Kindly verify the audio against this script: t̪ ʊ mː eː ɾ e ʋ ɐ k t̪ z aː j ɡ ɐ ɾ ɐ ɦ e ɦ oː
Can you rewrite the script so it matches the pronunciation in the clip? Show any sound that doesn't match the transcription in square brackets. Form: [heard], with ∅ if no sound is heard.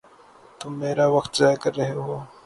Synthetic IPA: t̪ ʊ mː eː ɾ [a] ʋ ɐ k t̪ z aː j [k] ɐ [ɾː] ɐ ɦ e ɦ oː